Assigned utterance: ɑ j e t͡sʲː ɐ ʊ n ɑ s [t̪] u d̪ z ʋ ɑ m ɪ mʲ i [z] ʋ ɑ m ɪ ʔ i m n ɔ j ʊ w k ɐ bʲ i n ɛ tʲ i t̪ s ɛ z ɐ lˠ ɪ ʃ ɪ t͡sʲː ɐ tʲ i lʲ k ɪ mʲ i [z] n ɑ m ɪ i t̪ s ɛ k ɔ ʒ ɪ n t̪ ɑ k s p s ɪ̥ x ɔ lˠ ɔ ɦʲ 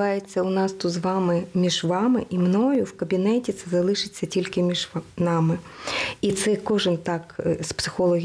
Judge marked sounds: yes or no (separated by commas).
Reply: yes, no, no